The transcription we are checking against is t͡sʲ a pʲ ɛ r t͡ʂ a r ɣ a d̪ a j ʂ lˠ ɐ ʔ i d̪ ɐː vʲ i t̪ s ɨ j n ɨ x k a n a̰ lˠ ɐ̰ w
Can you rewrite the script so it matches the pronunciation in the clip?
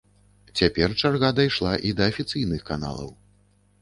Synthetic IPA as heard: t͡sʲ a pʲ ɛ r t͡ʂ a r ɣ a d̪ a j ʂ lˠ a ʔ i d̪ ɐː fʲ i t̪ s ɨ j n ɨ x k a n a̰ lˠ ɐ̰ w

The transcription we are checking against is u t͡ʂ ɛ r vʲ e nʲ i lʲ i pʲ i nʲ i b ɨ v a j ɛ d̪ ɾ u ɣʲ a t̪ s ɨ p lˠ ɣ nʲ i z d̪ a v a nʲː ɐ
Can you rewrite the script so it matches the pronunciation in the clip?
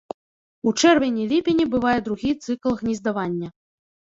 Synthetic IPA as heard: u t͡ʂ ɛ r vʲ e nʲ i lʲ i pʲ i nʲ i b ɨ v a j ɛ d̪ ɾ u ɣʲ i t̪ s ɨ k lˠ ɣ nʲ i z d̪ a v a nʲː ɐ

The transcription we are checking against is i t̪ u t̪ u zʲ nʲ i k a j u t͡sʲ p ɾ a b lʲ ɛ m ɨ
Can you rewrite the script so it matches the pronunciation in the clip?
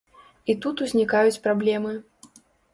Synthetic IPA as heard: i t̪ u t̪ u zʲ nʲ i k a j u t͡sʲ p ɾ a b lʲ ɛ m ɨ

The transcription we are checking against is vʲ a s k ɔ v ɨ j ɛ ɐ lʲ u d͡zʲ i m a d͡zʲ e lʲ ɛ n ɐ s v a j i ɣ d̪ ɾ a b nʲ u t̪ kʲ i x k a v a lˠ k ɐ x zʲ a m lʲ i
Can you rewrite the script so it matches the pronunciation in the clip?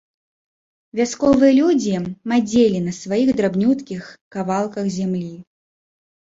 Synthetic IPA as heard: vʲ a s k ɔ v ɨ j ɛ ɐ lʲ u d͡zʲ i m a d͡zʲ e lʲ i n ɐ s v a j i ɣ d̪ ɾ a b nʲ u t̪ kʲ i x k a v a lˠ k ɐ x zʲ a m lʲ i

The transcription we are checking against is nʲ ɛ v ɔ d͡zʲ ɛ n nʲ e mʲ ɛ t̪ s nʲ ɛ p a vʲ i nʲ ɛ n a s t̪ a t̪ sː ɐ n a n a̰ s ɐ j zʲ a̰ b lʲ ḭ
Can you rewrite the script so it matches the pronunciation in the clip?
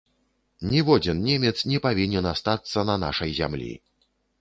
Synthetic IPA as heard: nʲ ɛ v ɔ d͡zʲ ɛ n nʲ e mʲ ɛ t̪ s nʲ ɛ p a vʲ i nʲ ɛ n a s t̪ a t̪ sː ɐ n ɐ n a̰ ʂ ɐ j zʲ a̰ m lʲ ḭ

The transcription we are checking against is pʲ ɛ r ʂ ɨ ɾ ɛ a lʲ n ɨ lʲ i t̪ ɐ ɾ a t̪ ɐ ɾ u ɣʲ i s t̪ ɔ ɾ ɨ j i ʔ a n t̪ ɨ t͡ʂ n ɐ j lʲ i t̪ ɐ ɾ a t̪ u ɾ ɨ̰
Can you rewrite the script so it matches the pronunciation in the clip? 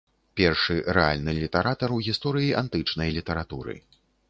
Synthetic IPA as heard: pʲ ɛ r ʂ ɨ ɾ ɛ a lʲ n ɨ lʲ i t̪ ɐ ɾ a t̪ ɐ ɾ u ɣʲ i s t̪ ɔ ɾ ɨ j i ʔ a n t̪ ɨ t͡ʂ n ɐ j lʲ i t̪ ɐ ɾ a t̪ u ɾ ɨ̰

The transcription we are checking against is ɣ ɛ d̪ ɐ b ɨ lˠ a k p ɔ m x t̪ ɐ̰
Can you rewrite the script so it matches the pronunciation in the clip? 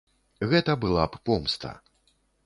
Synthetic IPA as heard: ɣ ɛ t̪ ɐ b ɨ lˠ a p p ɔ m s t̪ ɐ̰

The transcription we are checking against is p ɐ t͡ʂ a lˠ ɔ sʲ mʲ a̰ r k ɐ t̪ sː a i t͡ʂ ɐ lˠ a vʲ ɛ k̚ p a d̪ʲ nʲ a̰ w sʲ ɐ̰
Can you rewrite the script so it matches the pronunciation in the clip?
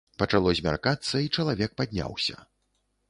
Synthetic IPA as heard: p ɐ t͡ʂ a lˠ ɔ zʲ mʲ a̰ r k a t̪ sː ɐ i t͡ʂ ɐ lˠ a vʲ ɛ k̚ p a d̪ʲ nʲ a̰ w sʲ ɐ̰

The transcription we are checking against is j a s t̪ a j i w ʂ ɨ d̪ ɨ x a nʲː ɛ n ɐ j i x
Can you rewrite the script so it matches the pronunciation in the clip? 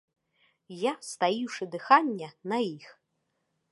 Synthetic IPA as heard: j a s t̪ a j i w ʂ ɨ d̪ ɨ x a nʲː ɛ n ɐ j i x

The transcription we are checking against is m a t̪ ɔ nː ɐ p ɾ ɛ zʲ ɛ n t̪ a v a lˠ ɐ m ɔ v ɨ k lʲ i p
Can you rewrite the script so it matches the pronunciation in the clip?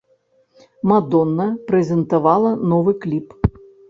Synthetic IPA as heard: m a d̪ ɔ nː ɐ p ɾ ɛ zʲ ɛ n t̪ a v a lˠ ɐ n ɔ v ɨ k lʲ i p

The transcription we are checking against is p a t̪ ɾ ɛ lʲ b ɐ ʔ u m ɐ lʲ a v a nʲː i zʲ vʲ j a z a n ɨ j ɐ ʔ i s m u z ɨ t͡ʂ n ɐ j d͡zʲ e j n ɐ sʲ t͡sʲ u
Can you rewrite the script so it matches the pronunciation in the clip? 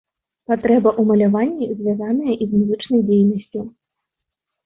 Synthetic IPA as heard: p a t̪ ɾ ɛ b ɐ ʔ u m ɐ lʲ a v a nʲː i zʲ vʲ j a z a n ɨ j ɐ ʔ i z m u z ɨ t͡ʂ n ɐ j d͡zʲ e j n ɐ sʲ t͡sʲ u

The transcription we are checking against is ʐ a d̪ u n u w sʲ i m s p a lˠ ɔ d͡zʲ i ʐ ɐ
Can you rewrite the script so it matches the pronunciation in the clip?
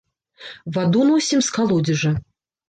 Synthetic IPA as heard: v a d̪ u n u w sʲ i m s k a lˠ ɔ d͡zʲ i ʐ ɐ

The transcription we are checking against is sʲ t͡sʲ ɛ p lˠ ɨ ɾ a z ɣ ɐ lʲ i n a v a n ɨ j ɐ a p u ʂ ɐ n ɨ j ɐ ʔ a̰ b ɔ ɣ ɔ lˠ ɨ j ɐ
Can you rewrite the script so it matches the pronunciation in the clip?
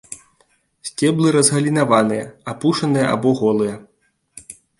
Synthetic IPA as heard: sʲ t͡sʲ ɛ b lˠ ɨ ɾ ɐ z ɣ ɐ lʲ i n a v a n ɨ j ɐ a p u ʂ ɐ n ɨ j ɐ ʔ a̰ b ɔ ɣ ɔ lˠ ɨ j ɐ

